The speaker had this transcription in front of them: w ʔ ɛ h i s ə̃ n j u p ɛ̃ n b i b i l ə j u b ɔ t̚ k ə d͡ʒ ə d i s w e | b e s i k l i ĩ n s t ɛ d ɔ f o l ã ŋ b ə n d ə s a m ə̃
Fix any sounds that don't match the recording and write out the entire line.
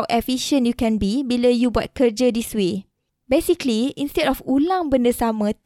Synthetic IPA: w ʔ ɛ f i ʃ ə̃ n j u k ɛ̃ n b i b i l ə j u b ɔ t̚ k ə d͡ʒ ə d i s w e | b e s i k l i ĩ n s t ɛ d ɔ f u l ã ŋ b ə n d ə s a m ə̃